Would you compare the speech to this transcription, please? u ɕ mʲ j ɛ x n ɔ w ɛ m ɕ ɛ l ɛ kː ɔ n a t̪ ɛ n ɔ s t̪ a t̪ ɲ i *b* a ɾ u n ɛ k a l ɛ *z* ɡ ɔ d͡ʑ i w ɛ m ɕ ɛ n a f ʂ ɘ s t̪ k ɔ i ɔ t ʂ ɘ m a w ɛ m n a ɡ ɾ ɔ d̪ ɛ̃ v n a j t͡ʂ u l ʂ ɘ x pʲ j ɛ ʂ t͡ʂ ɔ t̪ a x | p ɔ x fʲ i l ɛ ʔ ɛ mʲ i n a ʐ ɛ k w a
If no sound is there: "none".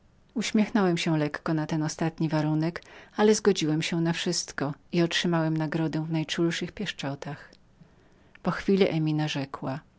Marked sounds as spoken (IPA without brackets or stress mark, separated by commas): v, z